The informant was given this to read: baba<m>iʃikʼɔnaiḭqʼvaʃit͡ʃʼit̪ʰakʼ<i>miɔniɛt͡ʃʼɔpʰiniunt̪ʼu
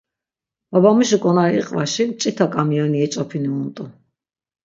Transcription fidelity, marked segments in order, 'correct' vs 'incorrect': correct, incorrect

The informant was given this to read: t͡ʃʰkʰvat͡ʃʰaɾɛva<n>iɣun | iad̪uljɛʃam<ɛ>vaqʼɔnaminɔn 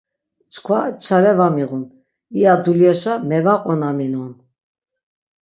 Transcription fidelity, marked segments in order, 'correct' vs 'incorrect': incorrect, correct

